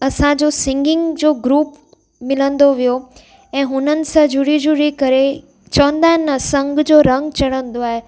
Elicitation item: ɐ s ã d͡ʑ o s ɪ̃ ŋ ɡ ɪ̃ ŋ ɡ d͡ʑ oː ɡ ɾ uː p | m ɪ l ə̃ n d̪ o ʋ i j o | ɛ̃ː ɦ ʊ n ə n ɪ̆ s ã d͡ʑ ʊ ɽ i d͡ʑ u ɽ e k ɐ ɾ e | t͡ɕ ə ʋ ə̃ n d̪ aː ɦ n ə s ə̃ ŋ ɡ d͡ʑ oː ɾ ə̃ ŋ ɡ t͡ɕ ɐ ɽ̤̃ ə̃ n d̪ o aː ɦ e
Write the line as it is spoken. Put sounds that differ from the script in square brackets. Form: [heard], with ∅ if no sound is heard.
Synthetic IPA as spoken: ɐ s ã d͡ʑ o s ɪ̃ ŋ ɡ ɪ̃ ŋ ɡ d͡ʑ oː ɡ ɾ uː p | m ɪ l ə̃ n d̪ o ʋ i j o | ɛ̃ː ɦ ʊ n ə n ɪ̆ s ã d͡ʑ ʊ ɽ i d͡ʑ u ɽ [i] k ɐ ɾ e | t͡ɕ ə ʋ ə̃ n d̪ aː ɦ n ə s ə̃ ŋ ɡ d͡ʑ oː ɾ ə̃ ŋ ɡ t͡ɕ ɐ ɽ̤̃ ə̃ n d̪ o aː ɦ e